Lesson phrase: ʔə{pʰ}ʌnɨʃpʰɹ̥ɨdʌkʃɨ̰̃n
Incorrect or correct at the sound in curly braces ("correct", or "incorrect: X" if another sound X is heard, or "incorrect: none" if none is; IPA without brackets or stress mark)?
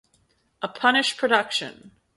correct